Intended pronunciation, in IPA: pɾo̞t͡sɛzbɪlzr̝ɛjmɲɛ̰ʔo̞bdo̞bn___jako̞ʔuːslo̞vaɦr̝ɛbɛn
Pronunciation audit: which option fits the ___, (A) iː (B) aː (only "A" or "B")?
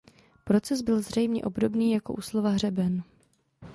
A